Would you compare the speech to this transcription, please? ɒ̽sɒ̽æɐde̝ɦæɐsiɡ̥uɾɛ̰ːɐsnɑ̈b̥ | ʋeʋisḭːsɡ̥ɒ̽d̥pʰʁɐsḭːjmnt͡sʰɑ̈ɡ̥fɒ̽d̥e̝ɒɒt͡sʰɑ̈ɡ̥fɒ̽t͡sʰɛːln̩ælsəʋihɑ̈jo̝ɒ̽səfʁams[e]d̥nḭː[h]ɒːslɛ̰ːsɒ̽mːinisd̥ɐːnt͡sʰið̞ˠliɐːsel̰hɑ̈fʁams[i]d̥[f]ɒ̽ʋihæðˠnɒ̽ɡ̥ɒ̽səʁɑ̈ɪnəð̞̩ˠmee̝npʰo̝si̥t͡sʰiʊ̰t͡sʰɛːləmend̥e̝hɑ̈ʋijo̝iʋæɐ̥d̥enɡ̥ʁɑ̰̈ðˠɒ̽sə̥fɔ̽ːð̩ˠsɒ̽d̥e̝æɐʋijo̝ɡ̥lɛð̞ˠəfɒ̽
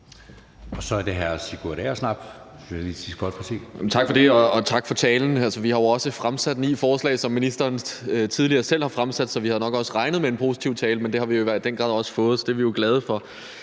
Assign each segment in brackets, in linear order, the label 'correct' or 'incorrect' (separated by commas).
incorrect, incorrect, incorrect, incorrect